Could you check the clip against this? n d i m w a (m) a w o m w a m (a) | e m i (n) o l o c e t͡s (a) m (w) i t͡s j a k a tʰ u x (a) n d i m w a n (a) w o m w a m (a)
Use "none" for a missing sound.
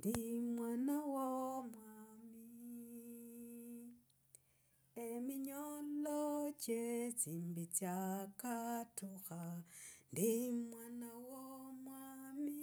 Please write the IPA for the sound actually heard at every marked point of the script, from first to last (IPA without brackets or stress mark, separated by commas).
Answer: n, i, ɲ, i, b, a, a, i